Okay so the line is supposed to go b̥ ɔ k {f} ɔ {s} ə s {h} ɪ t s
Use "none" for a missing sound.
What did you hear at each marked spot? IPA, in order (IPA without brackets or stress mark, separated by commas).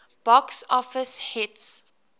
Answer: s, f, h